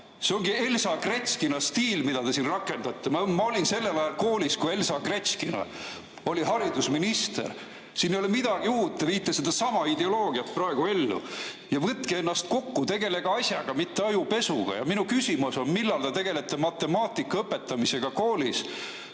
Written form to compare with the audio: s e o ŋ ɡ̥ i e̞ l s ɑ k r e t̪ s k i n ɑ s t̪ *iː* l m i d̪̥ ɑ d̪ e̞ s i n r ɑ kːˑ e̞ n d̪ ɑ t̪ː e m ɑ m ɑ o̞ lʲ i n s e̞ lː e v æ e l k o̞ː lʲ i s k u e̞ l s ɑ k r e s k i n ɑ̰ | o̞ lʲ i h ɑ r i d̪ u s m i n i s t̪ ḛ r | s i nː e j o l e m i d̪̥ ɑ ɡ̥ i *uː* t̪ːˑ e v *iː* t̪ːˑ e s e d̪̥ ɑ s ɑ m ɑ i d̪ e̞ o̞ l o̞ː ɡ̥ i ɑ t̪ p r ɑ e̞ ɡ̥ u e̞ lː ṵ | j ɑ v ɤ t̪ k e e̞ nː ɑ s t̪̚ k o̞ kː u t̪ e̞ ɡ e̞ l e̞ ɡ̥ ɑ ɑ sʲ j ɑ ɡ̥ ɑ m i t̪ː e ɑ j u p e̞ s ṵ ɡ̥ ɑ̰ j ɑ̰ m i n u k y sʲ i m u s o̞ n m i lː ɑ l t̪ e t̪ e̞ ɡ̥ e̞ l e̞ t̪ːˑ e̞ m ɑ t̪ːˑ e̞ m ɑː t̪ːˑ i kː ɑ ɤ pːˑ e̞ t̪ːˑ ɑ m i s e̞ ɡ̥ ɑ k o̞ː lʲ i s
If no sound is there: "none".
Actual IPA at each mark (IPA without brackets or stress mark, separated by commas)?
iː, uː, iː